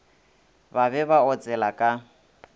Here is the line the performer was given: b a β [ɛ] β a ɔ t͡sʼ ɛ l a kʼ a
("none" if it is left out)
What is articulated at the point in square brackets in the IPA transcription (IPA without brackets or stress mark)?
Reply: ɛ